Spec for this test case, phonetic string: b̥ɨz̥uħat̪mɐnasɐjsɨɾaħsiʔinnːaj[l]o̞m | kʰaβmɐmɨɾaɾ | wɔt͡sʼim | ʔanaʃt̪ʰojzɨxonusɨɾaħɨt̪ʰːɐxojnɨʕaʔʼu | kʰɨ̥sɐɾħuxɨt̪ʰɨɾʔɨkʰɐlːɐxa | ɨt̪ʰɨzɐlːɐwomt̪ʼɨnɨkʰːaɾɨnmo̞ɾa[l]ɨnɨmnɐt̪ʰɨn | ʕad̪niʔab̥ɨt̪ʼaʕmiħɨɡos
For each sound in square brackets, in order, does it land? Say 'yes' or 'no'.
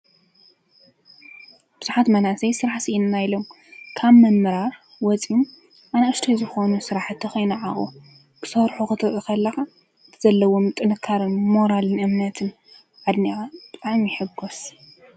yes, yes

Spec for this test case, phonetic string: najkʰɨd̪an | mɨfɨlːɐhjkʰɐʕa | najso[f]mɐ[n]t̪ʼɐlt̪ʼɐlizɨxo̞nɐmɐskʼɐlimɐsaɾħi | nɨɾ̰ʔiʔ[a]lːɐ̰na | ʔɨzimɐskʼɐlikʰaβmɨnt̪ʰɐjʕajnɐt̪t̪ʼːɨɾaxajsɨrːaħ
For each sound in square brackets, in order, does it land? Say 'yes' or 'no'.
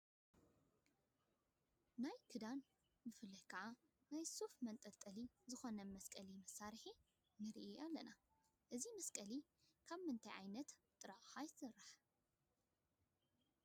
yes, yes, yes

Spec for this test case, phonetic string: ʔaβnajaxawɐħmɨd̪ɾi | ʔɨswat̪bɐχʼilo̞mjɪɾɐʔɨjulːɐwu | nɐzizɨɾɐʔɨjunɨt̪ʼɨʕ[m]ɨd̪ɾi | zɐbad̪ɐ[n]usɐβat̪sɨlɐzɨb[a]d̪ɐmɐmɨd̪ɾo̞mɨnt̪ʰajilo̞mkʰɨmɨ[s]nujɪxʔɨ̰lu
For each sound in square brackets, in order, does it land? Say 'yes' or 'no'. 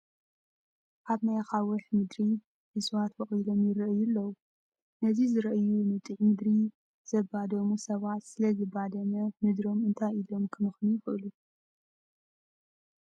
yes, no, yes, no

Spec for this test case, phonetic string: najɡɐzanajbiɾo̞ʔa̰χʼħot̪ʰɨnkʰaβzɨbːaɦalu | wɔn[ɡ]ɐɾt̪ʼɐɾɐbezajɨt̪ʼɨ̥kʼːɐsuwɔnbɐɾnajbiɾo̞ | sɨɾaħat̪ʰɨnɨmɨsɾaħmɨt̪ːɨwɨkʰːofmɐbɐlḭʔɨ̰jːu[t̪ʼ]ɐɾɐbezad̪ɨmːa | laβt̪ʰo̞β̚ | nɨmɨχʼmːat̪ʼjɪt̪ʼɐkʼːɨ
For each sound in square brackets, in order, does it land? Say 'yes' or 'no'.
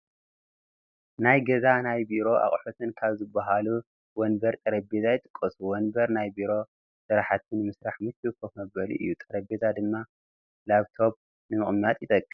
no, yes

